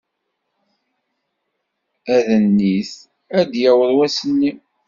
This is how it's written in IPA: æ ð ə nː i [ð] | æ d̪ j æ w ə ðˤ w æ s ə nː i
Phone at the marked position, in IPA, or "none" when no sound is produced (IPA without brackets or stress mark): θ